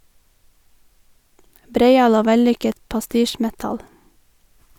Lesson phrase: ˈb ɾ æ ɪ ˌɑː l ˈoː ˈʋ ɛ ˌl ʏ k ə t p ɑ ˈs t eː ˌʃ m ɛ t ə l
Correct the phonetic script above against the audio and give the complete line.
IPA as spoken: ˈb ɾ e ɪ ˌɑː l ˈoː ˈʋ ɛ ˌl ʏ k ə t p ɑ ˈs t iː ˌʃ m ɛ t ɑ l